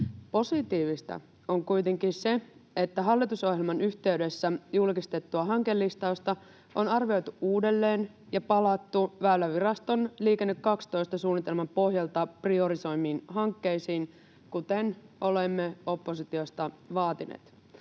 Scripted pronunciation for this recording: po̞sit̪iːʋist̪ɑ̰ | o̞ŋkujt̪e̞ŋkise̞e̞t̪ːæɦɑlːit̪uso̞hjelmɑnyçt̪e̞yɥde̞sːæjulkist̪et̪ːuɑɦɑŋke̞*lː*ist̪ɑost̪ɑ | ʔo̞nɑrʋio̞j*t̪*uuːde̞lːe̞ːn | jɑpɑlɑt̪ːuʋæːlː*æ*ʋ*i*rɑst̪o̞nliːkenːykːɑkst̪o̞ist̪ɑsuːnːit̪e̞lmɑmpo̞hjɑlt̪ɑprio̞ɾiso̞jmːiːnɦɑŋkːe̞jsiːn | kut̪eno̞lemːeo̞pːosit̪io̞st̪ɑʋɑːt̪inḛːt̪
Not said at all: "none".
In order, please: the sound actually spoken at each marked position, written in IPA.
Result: lː, t̪, æ, i

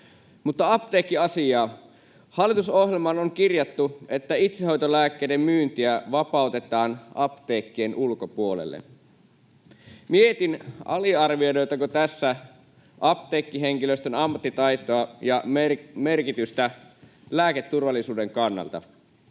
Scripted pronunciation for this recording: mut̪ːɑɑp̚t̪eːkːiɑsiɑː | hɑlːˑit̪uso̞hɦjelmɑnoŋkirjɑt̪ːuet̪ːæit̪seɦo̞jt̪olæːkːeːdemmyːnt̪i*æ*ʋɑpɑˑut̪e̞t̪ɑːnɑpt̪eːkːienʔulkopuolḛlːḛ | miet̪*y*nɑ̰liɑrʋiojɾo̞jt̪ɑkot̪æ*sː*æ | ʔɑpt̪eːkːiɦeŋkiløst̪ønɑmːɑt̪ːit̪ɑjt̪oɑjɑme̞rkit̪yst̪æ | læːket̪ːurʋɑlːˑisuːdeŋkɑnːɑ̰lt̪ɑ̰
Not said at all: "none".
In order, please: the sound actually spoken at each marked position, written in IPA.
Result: æ, i, sː

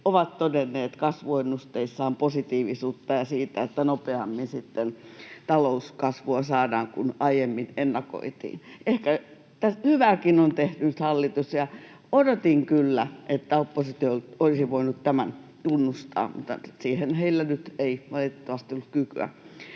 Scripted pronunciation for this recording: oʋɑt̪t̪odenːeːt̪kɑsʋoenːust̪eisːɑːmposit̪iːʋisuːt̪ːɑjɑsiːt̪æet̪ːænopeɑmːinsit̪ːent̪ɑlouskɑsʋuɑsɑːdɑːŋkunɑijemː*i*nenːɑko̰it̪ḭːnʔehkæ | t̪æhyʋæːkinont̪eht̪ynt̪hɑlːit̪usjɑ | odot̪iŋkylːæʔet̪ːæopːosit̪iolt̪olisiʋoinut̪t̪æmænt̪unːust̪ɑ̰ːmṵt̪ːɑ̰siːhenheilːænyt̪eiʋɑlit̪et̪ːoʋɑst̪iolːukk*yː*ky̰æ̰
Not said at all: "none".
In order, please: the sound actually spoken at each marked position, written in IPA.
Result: i, y

